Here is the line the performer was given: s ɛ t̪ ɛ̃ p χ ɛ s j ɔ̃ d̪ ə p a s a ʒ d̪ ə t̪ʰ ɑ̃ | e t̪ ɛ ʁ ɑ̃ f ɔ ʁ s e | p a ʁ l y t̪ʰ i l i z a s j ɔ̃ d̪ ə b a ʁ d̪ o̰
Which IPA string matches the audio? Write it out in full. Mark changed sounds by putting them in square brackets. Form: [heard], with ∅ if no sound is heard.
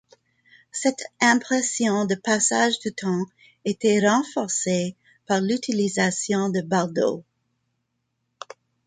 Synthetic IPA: s ɛ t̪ ɛ̃ p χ ɛ s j ɔ̃ d̪ ə p a s a ʒ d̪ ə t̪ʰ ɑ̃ | e t̪ ɛ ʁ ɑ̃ f ɔ ʁ s e | p a ʁ l y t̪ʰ i l i z a s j ɔ̃ d̪ ə b a ʁ d̪ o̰